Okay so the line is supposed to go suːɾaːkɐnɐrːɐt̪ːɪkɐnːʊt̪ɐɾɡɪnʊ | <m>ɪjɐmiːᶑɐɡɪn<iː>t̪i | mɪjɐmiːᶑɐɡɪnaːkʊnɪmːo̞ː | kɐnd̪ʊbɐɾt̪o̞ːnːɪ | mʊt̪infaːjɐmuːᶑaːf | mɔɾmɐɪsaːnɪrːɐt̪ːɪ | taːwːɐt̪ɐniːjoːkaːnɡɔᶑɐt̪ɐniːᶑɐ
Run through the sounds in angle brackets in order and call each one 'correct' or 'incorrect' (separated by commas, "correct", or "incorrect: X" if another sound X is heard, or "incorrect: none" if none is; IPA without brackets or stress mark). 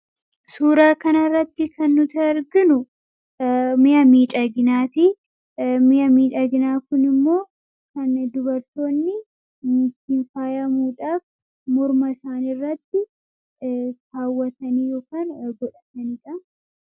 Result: correct, incorrect: aː